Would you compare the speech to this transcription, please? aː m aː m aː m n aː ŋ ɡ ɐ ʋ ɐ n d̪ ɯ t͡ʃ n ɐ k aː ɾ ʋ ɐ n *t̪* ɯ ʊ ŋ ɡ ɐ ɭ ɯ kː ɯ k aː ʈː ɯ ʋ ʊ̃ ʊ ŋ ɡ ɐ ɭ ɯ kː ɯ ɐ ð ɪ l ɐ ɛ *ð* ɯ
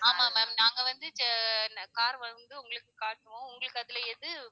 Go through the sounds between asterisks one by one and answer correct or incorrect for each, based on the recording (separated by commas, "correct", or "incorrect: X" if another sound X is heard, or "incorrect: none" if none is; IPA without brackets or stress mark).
incorrect: d̪, correct